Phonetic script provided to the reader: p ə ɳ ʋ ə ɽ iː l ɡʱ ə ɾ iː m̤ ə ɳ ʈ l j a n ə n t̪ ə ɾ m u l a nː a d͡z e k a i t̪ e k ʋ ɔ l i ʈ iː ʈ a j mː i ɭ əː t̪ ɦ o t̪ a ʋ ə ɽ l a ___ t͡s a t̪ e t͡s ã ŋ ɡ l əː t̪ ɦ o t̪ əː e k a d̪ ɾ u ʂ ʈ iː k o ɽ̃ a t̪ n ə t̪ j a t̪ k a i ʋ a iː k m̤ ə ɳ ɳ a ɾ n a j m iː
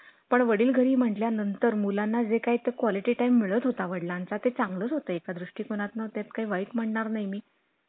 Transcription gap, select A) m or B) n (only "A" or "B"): B